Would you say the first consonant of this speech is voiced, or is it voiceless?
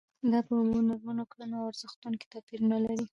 voiced